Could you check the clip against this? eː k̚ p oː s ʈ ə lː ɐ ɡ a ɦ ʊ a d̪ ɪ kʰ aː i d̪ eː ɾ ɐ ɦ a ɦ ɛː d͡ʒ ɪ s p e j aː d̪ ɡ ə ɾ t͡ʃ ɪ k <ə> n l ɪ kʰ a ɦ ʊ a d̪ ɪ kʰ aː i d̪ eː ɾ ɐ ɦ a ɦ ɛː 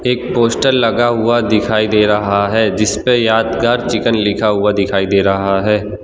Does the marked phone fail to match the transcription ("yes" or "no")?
no